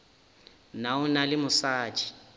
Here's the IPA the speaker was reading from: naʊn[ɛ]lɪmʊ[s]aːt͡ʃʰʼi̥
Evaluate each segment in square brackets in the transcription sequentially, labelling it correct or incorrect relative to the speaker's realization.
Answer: incorrect: a, correct

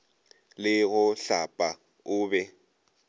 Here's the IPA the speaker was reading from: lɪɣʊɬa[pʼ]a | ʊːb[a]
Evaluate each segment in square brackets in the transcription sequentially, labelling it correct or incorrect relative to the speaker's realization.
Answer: correct, incorrect: ɛ

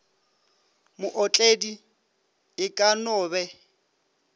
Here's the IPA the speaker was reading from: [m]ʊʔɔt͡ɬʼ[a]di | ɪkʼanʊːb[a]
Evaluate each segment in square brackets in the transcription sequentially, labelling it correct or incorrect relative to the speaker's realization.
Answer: correct, incorrect: e, incorrect: ɛ

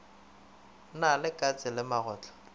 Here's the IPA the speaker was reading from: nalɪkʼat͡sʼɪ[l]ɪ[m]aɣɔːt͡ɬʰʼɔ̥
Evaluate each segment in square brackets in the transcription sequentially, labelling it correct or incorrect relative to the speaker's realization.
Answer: correct, correct

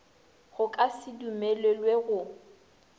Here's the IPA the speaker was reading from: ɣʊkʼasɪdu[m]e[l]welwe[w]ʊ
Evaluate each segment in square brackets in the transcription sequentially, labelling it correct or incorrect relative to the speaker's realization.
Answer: correct, correct, incorrect: ɣ

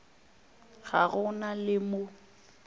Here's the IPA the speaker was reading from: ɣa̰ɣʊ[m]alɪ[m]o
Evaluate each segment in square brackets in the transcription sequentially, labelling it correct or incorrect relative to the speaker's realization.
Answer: incorrect: n, correct

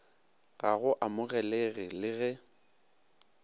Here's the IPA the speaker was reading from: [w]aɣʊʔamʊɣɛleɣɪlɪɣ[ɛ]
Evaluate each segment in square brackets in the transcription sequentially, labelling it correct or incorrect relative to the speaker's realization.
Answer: incorrect: ɣ, correct

